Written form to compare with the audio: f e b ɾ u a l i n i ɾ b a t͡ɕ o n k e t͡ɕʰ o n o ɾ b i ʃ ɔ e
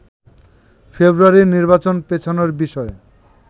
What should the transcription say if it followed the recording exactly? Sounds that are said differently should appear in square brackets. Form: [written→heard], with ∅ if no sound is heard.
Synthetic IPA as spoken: f e b ɾ u a [l→ɾ] i n i ɾ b a t͡ɕ o n [k→p] e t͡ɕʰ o n o ɾ b i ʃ ɔ e